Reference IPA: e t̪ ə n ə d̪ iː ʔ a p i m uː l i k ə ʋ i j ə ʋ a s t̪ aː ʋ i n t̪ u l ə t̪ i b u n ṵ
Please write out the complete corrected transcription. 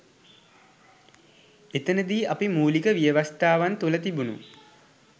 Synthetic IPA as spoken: e t̪ ə n ə d̪ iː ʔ a p i m uː l i k ə ʋ i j ə ʋ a s t̪ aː ʋ a n t̪ u l ə t̪ i b u n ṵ